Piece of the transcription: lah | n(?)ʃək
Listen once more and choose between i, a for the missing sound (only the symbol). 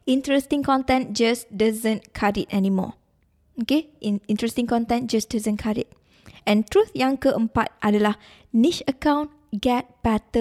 i